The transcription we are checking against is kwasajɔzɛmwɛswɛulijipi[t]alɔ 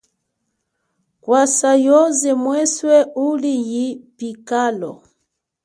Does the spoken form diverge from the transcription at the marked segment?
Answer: yes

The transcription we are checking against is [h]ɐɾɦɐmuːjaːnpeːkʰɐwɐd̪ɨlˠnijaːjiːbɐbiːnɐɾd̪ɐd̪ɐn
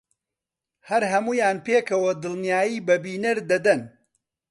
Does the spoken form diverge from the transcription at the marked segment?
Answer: no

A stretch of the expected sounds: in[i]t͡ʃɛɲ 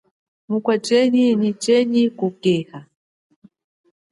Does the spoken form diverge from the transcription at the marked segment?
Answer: no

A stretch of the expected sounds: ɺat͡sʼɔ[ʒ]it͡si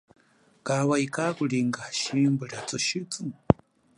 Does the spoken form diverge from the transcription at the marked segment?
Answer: yes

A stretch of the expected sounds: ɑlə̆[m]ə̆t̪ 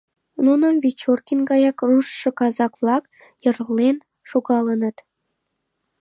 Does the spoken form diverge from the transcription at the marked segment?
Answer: yes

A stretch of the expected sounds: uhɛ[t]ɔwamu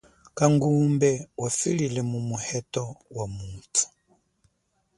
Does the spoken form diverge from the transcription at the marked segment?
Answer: no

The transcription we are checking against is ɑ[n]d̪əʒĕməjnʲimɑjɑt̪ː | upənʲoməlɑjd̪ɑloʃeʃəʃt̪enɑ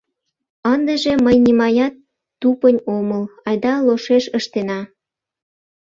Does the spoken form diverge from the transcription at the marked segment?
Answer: no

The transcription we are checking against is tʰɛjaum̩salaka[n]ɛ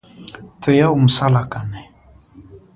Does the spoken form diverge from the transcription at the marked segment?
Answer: no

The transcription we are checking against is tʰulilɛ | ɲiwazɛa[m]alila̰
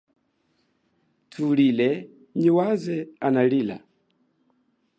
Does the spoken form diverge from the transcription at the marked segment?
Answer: yes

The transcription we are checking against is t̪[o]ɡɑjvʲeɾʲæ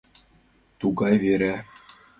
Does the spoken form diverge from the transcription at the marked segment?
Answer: yes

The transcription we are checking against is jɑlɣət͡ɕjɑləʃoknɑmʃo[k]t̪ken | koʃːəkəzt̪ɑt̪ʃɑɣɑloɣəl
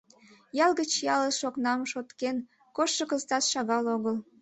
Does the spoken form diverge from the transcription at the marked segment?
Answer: yes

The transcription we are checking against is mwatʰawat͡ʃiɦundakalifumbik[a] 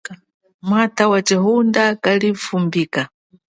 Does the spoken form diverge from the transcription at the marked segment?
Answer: no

